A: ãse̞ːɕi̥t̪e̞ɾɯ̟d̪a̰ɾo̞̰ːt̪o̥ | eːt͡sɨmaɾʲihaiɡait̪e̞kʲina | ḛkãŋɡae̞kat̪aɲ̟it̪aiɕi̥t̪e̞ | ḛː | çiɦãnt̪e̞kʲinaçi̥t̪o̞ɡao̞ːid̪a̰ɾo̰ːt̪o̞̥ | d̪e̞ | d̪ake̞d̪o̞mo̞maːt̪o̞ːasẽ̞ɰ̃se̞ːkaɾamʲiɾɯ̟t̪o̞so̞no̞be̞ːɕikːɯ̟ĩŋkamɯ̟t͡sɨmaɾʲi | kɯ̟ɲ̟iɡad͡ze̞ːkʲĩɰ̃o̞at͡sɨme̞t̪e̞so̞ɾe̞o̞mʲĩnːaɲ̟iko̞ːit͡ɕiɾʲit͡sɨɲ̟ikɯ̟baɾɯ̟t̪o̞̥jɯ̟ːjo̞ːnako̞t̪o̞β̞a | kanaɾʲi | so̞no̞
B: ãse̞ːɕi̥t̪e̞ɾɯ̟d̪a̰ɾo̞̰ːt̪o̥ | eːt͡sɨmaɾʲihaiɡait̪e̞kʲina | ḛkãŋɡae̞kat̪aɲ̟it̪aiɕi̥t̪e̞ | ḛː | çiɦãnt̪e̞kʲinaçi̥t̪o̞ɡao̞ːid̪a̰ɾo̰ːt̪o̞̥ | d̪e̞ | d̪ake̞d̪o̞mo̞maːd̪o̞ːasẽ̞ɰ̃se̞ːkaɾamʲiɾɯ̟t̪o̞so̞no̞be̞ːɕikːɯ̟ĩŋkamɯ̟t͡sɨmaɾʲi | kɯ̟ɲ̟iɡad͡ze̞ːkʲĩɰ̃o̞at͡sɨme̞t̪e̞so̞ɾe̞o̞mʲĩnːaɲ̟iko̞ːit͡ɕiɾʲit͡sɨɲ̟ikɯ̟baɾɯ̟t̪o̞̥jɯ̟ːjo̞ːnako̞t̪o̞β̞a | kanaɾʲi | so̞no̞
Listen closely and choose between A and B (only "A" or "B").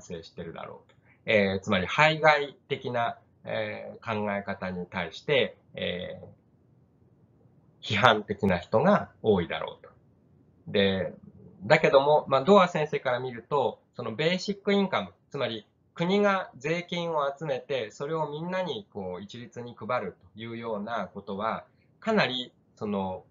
B